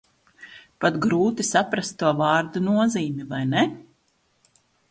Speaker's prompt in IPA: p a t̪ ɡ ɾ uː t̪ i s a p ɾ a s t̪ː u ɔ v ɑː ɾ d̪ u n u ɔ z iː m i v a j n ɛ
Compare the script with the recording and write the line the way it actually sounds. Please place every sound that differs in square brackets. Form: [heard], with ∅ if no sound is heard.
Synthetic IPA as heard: p a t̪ ɡ ɾ uː t̪ i s a p ɾ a s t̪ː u ɔ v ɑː ɾ d̪ u n u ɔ z iː m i v a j n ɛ